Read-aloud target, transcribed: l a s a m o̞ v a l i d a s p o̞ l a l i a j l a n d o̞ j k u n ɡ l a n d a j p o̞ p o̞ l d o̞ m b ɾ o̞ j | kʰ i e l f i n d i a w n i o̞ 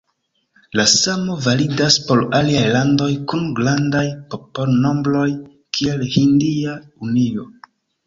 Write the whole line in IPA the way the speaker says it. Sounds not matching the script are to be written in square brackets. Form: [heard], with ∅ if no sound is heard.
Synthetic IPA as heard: l a s a m o̞ v a l i d a s p o̞ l a l i a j l a n d o̞ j k u n ɡ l a n d a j p o̞ p o̞ l [n] o̞ m b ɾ o̞ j | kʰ i e l [h] i n d i a [u] n i o̞